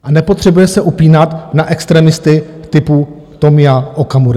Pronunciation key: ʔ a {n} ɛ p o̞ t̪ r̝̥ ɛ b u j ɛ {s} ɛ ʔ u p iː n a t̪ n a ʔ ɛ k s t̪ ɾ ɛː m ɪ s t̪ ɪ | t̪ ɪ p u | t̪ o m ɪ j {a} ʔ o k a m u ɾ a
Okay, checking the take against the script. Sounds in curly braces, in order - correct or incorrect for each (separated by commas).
correct, correct, correct